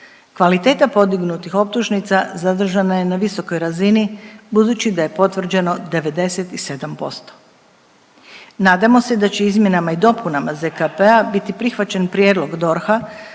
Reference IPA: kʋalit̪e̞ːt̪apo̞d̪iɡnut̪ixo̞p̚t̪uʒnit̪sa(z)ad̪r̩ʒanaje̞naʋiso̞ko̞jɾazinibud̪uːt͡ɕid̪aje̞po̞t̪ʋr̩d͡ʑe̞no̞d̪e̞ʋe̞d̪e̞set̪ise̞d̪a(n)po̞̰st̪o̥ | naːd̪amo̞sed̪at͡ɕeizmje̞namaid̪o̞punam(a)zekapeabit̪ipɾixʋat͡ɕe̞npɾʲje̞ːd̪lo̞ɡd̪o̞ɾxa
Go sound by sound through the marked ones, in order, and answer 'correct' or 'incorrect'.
correct, incorrect, correct

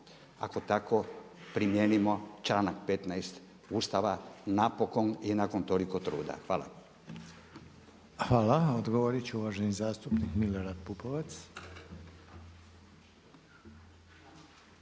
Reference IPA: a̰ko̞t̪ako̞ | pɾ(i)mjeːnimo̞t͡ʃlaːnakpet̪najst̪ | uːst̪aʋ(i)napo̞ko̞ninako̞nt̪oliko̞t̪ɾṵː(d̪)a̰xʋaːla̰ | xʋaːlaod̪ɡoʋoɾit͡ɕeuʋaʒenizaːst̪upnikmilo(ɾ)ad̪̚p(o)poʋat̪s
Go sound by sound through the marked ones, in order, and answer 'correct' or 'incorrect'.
correct, incorrect, correct, correct, incorrect

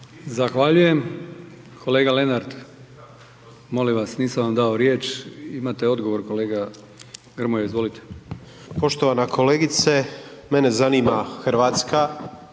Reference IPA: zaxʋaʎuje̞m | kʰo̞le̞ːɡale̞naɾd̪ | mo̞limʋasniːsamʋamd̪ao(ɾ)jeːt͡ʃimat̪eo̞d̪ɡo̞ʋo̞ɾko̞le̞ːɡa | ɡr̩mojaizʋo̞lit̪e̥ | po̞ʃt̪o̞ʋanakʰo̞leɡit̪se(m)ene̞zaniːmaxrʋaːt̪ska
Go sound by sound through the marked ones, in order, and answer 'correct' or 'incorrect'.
correct, correct

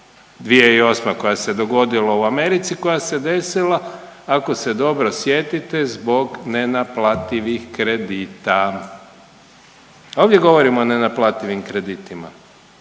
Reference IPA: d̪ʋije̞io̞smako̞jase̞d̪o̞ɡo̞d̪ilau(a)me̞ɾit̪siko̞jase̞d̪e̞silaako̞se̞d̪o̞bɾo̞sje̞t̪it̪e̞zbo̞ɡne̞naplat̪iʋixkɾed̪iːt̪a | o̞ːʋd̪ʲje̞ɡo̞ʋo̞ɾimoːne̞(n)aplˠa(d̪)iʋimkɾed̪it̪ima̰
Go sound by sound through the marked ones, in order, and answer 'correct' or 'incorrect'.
correct, correct, incorrect

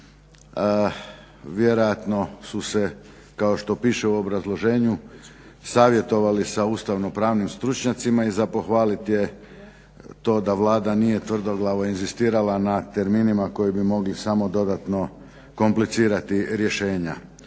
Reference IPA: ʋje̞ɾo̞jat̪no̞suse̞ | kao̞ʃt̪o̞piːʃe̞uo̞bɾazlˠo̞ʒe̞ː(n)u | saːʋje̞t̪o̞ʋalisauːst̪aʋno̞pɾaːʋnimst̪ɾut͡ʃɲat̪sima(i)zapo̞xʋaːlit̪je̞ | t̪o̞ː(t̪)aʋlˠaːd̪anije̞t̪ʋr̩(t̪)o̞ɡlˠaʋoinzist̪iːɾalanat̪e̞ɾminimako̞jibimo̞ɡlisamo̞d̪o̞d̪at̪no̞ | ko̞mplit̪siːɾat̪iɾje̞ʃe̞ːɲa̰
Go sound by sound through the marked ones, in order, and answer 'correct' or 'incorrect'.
incorrect, correct, incorrect, incorrect

